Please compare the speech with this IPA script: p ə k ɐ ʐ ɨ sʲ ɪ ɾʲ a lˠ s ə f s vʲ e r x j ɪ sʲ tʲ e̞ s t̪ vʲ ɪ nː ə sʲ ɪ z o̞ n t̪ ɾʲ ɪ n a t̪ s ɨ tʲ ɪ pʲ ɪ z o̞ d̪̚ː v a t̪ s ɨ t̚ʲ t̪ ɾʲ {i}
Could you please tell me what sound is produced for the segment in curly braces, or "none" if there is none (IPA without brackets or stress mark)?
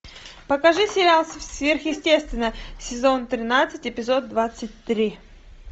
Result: i